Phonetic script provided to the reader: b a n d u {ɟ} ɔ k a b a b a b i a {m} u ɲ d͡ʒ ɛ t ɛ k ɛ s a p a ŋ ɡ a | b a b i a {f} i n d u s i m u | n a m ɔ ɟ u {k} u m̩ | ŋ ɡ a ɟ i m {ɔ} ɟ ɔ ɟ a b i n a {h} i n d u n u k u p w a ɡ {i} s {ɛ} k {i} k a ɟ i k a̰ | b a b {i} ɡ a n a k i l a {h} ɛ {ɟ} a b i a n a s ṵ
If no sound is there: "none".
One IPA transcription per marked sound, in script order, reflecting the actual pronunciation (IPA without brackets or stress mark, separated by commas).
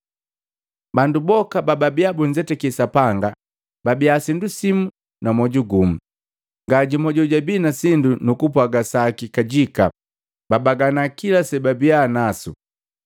b, b, s, ɡ, ɔ, s, a, a, i, a, s, b